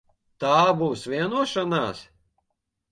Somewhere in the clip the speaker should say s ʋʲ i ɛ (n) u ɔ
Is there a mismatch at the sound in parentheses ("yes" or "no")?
no